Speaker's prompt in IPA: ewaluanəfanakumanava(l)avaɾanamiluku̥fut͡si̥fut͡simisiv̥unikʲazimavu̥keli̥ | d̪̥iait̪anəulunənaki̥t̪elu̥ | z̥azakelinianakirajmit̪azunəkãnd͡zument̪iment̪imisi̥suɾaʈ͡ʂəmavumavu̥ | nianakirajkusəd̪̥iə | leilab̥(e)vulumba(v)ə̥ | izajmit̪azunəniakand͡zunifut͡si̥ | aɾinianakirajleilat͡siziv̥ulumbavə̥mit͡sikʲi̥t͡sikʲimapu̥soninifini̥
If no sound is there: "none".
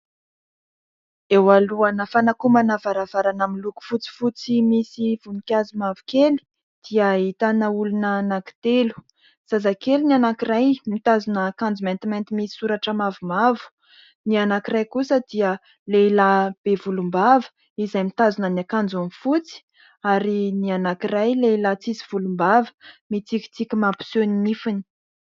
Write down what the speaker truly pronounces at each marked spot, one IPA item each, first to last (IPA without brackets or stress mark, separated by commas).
ɾ, e, v